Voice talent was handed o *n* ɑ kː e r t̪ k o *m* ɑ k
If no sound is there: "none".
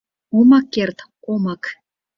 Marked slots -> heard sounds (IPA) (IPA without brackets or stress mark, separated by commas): m, m